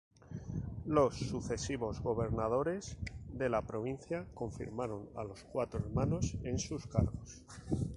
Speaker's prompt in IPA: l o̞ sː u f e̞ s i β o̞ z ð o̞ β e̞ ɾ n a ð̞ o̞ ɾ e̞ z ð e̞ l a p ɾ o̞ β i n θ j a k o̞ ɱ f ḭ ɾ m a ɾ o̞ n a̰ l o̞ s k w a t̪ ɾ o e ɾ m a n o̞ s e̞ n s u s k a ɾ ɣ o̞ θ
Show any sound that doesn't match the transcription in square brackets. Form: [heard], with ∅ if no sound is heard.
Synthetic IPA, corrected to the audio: l o̞ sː u [θ] e̞ s i β o̞ z [ɣ] o̞ β e̞ ɾ n a ð̞ o̞ ɾ e̞ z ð e̞ l a p ɾ o̞ β i n θ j a k o̞ ɱ f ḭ ɾ m a ɾ o̞ n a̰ l o̞ s k w a t̪ ɾ o e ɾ m a n o̞ s e̞ n s u s k a ɾ ɣ o̞ [s]

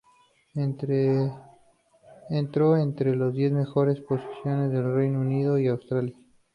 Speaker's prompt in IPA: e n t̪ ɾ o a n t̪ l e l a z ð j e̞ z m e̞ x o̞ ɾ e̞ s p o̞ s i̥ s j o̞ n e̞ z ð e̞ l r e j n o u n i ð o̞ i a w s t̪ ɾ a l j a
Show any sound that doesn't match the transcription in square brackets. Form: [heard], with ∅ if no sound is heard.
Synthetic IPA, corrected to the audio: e n t̪ ɾ o [e] n t̪ [ɾ] e l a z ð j e̞ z m e̞ x o̞ ɾ e̞ s p o̞ s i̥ s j o̞ n e̞ z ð e̞ l r e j n o u n i ð o̞ i a w s t̪ ɾ a l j a

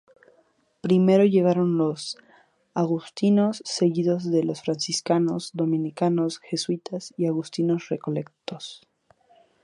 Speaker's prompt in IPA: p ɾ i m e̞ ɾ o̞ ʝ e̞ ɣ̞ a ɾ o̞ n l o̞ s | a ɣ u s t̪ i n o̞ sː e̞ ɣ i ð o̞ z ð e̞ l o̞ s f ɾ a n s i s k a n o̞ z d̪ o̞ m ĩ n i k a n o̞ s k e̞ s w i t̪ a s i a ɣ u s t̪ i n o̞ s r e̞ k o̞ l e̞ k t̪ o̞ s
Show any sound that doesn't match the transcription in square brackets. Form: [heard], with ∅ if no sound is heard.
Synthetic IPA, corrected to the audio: p ɾ i m e̞ ɾ o̞ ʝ e̞ ɣ̞ a ɾ o̞ n l o̞ s | a ɣ u s t̪ i n o̞ sː e̞ ɣ i ð o̞ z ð e̞ l o̞ s f ɾ a n s i s k a n o̞ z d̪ o̞ m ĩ n i k a n o̞ s [x] e̞ s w i t̪ a s i a ɣ u s t̪ i n o̞ s r e̞ k o̞ l e̞ k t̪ o̞ s

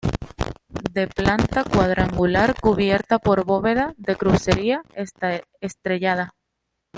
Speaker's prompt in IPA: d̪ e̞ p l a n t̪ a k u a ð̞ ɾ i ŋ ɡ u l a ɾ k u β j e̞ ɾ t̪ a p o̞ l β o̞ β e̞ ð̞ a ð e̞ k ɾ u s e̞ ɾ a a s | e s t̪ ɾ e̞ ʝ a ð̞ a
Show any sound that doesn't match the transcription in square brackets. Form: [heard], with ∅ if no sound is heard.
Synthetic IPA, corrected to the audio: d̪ e̞ p l a n t̪ a k [w] a ð̞ ɾ [a] ŋ ɡ u l a ɾ k u β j e̞ ɾ t̪ a p o̞ [ɾ] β o̞ β e̞ ð̞ a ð e̞ k ɾ u s e̞ ɾ [i] a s | e s t̪ ɾ e̞ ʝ a ð̞ a

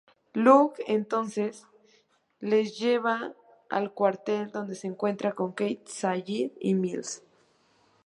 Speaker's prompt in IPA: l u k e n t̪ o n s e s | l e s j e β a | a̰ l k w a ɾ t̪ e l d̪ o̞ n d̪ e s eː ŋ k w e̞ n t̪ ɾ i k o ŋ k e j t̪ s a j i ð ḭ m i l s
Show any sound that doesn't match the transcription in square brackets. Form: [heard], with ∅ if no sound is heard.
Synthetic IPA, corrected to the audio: l u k e n t̪ o n s e s | l e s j e β a | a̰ l k w a ɾ t̪ e l d̪ o̞ n d̪ e s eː ŋ k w e̞ n t̪ ɾ [a] k o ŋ k e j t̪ s a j i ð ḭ m i l s

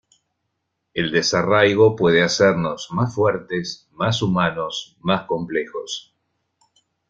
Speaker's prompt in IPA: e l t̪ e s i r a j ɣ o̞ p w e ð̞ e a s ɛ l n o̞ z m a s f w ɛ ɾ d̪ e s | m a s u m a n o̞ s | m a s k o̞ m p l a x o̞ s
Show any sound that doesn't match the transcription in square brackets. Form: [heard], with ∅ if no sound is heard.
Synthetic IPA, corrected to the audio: e l [d̪] e s [a] r a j ɣ o̞ p w e ð̞ e a s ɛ [ɾ] n o̞ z m a s f w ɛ ɾ [t̪] e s | m a s u m a n o̞ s | m a s k o̞ m p l [e] x o̞ s

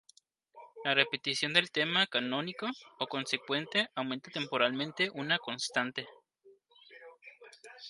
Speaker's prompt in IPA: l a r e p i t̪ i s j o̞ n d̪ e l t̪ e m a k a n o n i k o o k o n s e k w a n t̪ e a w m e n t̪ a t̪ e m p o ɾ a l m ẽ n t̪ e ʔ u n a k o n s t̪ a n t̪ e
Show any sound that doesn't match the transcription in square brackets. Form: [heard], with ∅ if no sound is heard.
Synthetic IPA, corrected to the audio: l a r e p [e] t̪ i s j o̞ n d̪ e l t̪ e m a k a n o n i k o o k o n s e k w [e] n t̪ e a w m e n t̪ a t̪ e m p o ɾ a l m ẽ n t̪ e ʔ u n a k o n s t̪ a n t̪ e

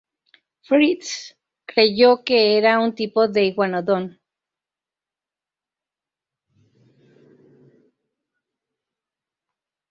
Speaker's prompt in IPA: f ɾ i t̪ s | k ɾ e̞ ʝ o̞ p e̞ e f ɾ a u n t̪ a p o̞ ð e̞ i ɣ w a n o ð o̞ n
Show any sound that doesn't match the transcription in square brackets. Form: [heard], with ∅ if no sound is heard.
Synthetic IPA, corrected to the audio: f ɾ i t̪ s | k ɾ e̞ ʝ o̞ [k] e̞ e [∅] ɾ a u n t̪ [i] p o̞ ð e̞ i ɣ w a n o ð o̞ n

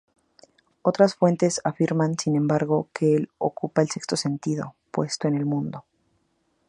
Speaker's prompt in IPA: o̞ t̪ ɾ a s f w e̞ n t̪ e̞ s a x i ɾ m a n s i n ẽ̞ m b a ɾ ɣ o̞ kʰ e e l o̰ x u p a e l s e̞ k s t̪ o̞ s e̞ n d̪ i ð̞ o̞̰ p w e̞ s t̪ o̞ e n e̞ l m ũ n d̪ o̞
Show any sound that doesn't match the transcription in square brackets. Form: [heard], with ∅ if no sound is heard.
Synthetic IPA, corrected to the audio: o̞ t̪ ɾ a s f w e̞ n t̪ e̞ s a [f] i ɾ m a n s i n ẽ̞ m b a ɾ ɣ o̞ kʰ e e l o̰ [k] u p a e l s e̞ k s t̪ o̞ s e̞ n [t̪] i ð̞ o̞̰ p w e̞ s t̪ o̞ e n e̞ l m ũ n d̪ o̞

